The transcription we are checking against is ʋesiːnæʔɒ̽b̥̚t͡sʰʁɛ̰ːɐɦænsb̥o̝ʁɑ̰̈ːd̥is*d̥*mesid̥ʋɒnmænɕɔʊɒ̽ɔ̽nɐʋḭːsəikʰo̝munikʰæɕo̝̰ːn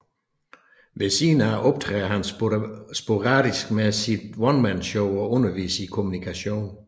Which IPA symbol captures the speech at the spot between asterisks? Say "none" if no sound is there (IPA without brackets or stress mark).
ɡ̥